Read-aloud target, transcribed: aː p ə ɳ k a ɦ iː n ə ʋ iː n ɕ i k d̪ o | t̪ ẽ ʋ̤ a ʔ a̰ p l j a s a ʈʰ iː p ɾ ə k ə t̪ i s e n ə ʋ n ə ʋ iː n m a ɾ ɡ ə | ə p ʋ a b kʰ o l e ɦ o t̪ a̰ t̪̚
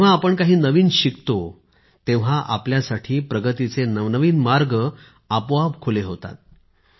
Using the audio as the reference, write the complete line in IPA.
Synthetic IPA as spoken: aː p ə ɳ k a ɦ iː n ə ʋ iː n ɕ i k t̪ o | t̪ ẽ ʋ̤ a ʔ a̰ p l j a s a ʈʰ iː p ɾ ə ɡ ə t̪ i t͡s e n ə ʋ n ə ʋ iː n m a ɾ ɡ ə | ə p ʋ a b kʰ o l e ɦ o t̪ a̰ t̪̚